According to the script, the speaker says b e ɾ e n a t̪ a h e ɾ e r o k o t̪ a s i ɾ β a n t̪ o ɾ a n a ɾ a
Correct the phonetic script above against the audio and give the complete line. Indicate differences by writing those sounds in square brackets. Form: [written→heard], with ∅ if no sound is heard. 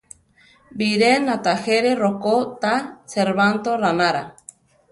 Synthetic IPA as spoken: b [e→i] ɾ e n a t̪ a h e ɾ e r o k o t̪ a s [i→e] ɾ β a n t̪ o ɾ a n a ɾ a